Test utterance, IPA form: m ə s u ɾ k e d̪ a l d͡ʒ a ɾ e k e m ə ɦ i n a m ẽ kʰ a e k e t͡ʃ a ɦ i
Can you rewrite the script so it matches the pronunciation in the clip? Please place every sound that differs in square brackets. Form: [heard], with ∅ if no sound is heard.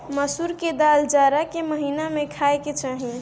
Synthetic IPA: m ə s u ɾ k e d̪ a l d͡ʒ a ɾ [a] k e m ə ɦ i n a m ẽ kʰ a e k e t͡ʃ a ɦ i